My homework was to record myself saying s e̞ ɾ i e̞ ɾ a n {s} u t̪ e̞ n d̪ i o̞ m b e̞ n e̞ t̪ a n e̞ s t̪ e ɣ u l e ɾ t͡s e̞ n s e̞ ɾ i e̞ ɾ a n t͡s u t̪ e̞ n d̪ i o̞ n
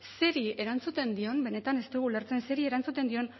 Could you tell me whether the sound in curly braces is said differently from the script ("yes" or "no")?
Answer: yes